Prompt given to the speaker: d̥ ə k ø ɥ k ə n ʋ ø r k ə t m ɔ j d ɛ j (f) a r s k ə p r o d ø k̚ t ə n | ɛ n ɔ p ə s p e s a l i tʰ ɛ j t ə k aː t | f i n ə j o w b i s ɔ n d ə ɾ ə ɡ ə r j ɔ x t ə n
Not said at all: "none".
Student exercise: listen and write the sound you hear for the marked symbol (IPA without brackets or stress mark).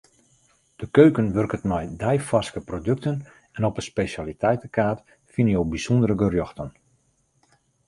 f